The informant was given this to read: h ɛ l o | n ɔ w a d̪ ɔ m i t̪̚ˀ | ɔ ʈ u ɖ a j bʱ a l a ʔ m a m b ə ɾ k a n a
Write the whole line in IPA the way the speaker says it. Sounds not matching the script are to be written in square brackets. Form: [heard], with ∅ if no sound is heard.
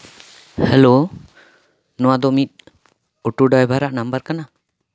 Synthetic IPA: h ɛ l o | n ɔ w a d̪ ɔ m i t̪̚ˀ | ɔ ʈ u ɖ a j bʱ a [ɾ] a ʔ [n] a m b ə ɾ k a n a